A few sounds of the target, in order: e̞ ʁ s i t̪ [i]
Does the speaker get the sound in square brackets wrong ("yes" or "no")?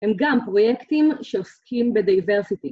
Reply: no